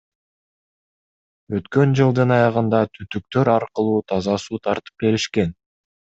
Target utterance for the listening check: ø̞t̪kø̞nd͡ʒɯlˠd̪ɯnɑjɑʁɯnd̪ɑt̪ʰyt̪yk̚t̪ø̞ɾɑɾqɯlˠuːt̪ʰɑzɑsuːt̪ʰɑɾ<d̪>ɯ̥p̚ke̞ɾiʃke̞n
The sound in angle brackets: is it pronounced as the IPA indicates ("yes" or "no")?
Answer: no